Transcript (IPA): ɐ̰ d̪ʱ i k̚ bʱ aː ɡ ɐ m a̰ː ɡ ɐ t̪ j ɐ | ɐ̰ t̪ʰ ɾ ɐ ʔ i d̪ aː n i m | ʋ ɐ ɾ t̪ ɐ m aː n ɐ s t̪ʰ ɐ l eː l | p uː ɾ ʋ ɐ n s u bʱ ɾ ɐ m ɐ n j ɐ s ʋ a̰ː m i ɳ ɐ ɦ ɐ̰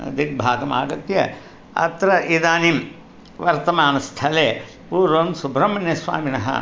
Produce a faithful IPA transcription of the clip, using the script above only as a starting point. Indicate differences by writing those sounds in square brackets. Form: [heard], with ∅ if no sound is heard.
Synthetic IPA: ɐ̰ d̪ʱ i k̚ bʱ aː ɡ ɐ m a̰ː ɡ ɐ t̪ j ɐ | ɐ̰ [t̪] ɾ ɐ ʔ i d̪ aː n i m | ʋ ɐ ɾ t̪ ɐ m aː n ɐ s t̪ʰ ɐ l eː [∅] | p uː ɾ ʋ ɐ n s u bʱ ɾ ɐ m ɐ n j ɐ s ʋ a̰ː m i [n] ɐ ɦ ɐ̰